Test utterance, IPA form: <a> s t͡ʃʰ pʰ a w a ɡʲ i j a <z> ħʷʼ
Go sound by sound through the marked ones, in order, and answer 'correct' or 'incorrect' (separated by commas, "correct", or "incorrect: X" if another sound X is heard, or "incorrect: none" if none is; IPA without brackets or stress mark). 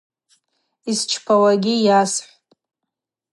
incorrect: i, incorrect: s